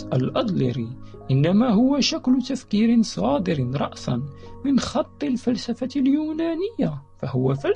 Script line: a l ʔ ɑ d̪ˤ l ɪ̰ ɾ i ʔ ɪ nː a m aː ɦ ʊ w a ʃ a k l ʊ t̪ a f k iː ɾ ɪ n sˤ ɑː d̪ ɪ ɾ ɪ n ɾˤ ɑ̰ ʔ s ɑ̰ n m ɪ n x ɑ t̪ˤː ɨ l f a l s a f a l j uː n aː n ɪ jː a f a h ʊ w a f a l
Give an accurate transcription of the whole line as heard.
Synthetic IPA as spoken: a l ʔ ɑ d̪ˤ l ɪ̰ ɾ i ʔ ɪ nː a m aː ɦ ʊ w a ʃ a k l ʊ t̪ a f k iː ɾ ɪ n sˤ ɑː d̪ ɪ ɾ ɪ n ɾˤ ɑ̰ ʔ s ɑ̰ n m ɪ n x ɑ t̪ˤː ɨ l f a l s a f a l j uː n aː n ɪ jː a f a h ʊ w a f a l